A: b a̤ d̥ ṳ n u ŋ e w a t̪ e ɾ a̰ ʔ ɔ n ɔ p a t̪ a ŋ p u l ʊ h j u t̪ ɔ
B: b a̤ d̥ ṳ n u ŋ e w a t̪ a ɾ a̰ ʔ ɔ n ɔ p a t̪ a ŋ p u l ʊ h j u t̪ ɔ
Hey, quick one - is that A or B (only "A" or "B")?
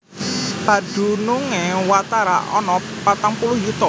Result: B